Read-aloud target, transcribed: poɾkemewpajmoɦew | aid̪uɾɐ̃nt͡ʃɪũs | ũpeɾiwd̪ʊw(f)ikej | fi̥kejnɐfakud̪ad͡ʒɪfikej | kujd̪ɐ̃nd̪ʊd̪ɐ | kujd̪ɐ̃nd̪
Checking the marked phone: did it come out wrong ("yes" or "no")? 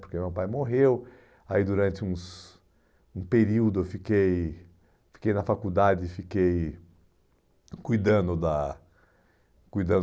no